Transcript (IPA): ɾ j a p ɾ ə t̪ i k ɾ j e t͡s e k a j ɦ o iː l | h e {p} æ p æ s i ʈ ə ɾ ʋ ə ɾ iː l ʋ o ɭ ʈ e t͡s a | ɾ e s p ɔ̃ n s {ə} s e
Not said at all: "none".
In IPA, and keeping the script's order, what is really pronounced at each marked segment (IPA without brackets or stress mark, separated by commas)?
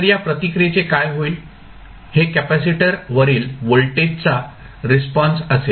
k, ə